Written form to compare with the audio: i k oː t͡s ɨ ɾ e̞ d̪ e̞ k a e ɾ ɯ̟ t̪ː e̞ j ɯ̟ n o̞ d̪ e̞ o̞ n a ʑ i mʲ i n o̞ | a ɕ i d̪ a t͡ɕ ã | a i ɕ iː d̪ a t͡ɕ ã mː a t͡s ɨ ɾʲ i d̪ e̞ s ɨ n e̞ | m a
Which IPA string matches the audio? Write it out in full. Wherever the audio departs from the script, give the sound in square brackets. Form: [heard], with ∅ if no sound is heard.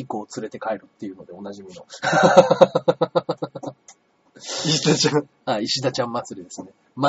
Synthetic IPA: i k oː t͡s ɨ ɾ e̞ [t̪] e̞ k a e ɾ ɯ̟ t̪ː e̞ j ɯ̟ n o̞ d̪ e̞ o̞ n a ʑ i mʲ i n o̞ | [i] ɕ i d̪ a t͡ɕ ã | a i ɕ [i] d̪ a t͡ɕ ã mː a t͡s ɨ ɾʲ i d̪ e̞ s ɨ n e̞ | m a